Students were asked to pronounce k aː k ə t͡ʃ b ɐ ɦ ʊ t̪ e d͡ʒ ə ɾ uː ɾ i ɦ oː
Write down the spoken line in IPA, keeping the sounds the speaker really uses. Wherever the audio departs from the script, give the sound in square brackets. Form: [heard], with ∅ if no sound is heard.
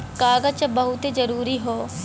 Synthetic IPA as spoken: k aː [ɡ] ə t͡ʃ b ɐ ɦ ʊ t̪ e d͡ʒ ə ɾ uː ɾ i ɦ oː